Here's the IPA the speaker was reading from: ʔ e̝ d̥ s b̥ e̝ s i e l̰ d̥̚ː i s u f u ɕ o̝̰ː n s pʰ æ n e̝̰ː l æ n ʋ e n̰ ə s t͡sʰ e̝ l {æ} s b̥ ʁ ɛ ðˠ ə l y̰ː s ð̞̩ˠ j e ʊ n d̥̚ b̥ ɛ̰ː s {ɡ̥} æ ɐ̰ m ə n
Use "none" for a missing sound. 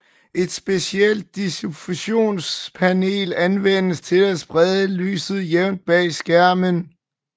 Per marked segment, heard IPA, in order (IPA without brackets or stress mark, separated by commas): æ, ɡ̥